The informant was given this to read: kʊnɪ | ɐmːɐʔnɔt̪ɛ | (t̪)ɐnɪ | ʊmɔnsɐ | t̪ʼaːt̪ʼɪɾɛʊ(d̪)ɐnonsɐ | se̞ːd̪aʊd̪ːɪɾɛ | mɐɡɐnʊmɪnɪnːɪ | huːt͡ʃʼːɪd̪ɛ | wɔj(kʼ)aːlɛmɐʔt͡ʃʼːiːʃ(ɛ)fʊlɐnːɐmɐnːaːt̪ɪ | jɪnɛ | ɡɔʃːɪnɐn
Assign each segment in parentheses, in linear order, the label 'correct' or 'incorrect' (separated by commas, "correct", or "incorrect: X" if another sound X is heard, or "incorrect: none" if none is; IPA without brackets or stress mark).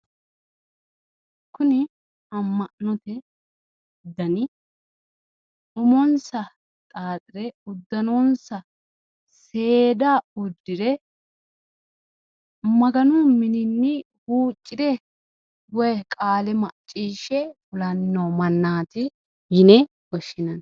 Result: incorrect: d̪, incorrect: d̪ː, correct, correct